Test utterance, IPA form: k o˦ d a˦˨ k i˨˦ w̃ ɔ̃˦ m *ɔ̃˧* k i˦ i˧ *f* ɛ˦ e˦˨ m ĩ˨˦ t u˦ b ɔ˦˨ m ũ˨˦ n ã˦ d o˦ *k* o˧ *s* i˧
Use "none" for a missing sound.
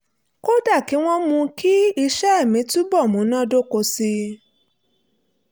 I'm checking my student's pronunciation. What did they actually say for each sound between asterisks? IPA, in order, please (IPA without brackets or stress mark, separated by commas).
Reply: ũ˧, ʃ, k, s